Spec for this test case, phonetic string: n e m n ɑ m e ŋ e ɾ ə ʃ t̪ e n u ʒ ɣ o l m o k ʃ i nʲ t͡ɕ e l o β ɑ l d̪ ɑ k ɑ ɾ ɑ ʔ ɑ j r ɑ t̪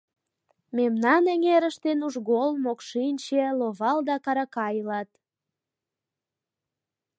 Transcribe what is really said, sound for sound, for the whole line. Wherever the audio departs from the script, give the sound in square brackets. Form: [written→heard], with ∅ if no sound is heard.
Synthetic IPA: [n→m] e m n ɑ [m→n] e ŋ e ɾ ə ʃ t̪ e n u ʒ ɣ o l m o k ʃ i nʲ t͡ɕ e l o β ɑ l d̪ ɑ k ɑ ɾ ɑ [ʔ→k] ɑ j [r→l] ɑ t̪